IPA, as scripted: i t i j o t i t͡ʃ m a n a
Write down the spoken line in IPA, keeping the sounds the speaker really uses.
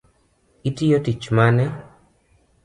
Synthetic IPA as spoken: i t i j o t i t͡ʃ m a n ɛ